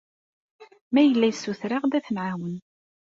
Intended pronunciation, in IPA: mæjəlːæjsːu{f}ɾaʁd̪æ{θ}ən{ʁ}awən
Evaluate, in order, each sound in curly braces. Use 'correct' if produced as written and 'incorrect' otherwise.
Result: incorrect, correct, incorrect

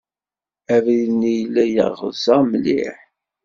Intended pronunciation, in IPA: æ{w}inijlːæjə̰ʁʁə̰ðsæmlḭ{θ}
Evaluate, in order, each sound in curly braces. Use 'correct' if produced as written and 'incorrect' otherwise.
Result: incorrect, incorrect

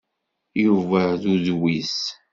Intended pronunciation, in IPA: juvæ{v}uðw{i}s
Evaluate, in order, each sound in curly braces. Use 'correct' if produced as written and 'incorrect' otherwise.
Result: incorrect, correct

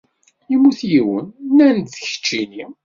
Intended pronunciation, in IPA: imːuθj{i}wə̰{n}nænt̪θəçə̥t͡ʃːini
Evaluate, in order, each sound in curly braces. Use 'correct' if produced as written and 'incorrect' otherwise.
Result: correct, correct

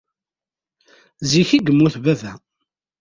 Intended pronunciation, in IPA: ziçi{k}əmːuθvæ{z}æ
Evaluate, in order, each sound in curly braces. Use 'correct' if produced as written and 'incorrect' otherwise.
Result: incorrect, incorrect

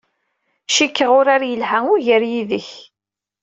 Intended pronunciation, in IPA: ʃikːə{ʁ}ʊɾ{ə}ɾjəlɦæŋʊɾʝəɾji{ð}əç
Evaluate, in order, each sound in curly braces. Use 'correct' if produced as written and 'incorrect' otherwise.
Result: correct, incorrect, correct

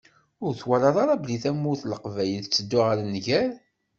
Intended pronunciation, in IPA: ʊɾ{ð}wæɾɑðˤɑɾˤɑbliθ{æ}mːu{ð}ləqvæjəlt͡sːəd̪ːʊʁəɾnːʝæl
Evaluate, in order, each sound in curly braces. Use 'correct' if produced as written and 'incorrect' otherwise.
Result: incorrect, correct, incorrect

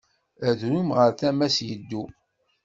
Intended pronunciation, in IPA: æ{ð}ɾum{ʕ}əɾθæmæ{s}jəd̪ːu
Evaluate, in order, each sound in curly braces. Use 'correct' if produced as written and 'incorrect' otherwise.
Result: correct, incorrect, correct

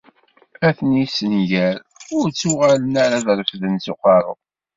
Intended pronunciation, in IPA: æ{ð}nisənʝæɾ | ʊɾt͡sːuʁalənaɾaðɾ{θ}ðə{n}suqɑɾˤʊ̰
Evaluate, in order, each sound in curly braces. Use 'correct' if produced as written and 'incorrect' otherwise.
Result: incorrect, incorrect, correct

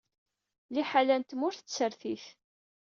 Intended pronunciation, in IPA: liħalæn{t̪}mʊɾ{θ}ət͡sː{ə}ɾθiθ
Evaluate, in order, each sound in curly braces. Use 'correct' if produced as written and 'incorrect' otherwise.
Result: correct, correct, correct

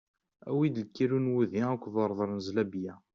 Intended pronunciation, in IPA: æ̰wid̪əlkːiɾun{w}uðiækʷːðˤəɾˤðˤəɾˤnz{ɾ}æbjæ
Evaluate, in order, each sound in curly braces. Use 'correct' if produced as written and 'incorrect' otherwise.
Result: correct, incorrect

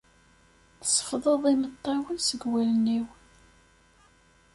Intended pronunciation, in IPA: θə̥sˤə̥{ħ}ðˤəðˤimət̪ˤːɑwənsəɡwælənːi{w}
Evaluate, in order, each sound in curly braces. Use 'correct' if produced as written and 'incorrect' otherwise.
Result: incorrect, correct

